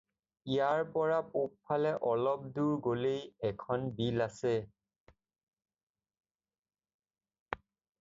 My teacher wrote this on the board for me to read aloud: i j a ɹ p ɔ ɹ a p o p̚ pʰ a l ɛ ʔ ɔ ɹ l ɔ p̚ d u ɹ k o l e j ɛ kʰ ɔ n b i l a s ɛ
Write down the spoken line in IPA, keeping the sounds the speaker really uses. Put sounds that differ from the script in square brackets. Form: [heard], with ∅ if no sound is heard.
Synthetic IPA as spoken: i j a ɹ p ɔ ɹ a p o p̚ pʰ a l ɛ ʔ ɔ [∅] l ɔ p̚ d u ɹ [ɡ] o l e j ɛ kʰ ɔ n b i l a s ɛ